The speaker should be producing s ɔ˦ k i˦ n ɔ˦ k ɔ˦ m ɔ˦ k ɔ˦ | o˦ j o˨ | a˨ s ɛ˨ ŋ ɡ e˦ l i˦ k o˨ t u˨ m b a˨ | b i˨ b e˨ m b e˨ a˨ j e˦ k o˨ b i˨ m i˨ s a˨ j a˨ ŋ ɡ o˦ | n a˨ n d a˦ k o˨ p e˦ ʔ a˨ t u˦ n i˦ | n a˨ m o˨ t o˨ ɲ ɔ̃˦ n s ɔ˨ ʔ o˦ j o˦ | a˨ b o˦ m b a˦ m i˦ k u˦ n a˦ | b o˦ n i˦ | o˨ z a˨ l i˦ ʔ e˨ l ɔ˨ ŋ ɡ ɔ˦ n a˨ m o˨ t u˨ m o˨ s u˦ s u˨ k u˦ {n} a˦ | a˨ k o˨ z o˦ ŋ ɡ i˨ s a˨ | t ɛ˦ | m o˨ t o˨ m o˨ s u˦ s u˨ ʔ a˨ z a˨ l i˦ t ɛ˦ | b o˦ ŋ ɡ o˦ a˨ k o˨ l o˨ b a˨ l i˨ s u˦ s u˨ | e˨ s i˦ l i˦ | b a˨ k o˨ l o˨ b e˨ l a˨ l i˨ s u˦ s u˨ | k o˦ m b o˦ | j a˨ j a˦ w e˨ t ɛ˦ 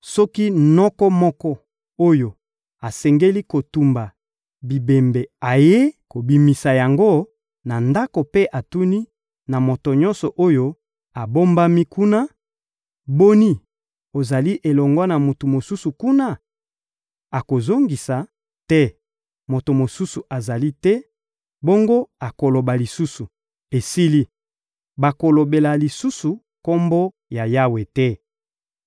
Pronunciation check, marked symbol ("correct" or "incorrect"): correct